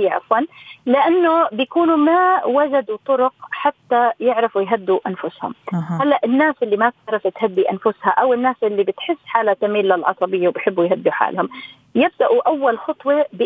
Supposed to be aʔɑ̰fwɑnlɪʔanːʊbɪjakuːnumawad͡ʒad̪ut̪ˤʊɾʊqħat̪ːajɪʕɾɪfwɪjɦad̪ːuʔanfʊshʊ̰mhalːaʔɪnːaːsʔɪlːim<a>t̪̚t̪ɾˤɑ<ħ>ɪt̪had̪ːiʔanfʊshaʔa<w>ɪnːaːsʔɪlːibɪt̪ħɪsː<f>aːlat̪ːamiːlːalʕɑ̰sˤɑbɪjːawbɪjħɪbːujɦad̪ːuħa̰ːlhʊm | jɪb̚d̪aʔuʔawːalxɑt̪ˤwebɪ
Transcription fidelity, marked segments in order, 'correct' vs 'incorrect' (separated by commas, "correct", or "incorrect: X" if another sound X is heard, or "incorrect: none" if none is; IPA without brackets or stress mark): correct, incorrect: f, correct, incorrect: ħ